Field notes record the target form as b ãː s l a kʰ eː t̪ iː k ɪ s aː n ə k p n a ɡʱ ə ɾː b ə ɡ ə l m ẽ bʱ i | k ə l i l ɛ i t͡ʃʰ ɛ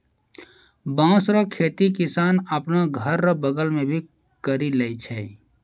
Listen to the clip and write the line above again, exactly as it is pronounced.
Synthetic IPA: b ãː s ɾ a kʰ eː t̪ i k ɪ s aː n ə p n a ɡʱ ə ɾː b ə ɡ ə l m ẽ bʱ i | k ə ɾ i l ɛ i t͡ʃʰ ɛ